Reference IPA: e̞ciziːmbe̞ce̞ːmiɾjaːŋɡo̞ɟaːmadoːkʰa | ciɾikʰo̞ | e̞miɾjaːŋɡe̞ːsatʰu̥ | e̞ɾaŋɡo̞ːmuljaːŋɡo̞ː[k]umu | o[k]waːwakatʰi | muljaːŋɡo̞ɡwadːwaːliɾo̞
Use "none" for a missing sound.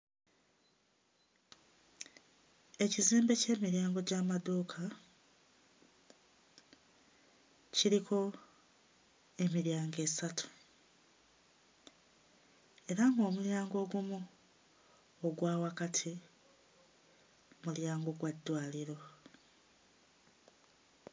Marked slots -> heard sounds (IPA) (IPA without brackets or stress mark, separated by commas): ɡ, ɡ